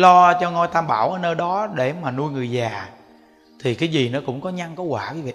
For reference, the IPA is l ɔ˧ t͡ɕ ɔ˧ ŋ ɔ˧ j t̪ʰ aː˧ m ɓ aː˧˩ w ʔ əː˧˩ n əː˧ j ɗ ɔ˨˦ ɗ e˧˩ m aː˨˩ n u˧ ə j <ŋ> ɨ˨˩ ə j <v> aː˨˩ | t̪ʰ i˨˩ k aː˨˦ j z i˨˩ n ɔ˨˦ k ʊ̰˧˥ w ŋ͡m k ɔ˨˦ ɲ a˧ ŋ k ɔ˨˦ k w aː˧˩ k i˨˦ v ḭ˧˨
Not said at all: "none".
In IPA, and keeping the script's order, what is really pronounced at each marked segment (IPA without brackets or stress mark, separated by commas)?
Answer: ŋ, z